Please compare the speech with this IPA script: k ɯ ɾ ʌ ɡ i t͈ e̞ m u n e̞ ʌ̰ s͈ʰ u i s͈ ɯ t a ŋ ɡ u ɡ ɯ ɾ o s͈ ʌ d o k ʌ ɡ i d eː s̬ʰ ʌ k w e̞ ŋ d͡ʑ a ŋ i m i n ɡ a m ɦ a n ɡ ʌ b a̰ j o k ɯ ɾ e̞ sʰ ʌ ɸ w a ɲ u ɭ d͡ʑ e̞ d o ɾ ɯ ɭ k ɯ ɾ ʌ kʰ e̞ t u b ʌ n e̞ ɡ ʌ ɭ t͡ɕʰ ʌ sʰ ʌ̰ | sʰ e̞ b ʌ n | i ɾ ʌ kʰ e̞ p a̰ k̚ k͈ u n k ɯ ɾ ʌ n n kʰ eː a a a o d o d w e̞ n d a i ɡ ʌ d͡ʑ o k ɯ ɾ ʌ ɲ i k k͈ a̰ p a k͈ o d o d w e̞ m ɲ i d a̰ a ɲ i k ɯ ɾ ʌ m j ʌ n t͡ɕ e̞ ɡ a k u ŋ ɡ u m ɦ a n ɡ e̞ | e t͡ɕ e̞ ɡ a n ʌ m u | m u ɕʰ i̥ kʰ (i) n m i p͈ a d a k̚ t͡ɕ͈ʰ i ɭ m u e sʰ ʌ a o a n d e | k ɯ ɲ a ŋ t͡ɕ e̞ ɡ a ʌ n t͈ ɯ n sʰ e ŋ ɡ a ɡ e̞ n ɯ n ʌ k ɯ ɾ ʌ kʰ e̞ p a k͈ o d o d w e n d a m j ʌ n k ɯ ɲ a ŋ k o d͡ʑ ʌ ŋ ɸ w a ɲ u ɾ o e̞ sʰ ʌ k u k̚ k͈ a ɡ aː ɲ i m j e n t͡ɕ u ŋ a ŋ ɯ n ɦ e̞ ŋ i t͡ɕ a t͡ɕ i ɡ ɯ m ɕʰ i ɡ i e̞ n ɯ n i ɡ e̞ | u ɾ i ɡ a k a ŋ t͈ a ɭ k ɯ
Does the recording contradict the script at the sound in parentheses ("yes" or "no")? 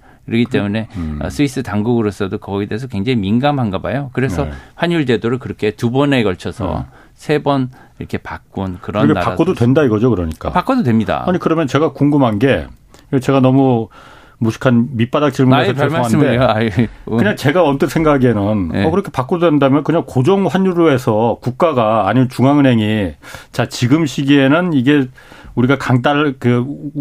yes